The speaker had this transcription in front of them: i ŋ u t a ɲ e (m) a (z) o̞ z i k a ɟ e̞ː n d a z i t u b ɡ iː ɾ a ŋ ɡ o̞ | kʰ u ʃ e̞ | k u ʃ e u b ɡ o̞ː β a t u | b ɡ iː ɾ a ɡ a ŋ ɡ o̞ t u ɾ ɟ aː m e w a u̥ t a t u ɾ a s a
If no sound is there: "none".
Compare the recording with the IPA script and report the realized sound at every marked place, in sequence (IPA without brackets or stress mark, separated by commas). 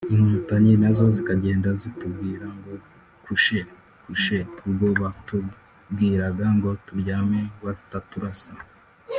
n, z